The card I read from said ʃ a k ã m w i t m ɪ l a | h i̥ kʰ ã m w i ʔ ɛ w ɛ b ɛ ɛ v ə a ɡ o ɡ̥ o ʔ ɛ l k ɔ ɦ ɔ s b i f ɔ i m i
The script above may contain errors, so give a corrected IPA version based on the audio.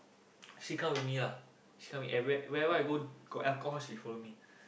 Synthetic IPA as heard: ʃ i k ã m w i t m i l a | ʃ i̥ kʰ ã m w i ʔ ɛ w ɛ w ɛ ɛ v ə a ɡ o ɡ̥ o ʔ ɛ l k ɔ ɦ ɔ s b i f ɔ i m i